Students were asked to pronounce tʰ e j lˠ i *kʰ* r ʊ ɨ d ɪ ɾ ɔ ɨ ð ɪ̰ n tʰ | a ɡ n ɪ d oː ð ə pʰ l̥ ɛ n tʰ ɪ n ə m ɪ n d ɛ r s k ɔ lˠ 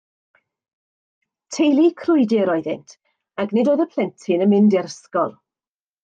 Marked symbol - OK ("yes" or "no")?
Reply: yes